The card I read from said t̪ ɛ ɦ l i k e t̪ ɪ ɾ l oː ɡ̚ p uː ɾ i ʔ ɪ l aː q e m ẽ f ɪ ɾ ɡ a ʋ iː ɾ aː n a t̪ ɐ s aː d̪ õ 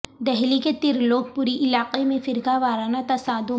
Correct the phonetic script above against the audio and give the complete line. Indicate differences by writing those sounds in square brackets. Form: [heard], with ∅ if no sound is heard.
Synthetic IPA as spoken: [d̪] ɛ ɦ l i k e t̪ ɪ ɾ l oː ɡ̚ p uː ɾ i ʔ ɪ l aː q e m ẽ f ɪ ɾ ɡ a ʋ [aː] ɾ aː n a t̪ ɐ s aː d̪ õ